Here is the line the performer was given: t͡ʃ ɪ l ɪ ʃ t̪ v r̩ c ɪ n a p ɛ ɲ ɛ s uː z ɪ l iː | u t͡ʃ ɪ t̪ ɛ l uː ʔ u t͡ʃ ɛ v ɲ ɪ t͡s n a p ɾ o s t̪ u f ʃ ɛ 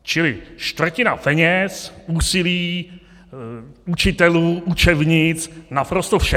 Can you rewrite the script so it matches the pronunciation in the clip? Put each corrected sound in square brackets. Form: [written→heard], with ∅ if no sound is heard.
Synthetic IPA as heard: t͡ʃ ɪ l ɪ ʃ t̪ v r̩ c ɪ n a p ɛ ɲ ɛ s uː [z→s] ɪ l iː | u t͡ʃ ɪ t̪ ɛ l uː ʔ u t͡ʃ ɛ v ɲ ɪ t͡s n a p ɾ o s t̪ [u→o] f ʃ ɛ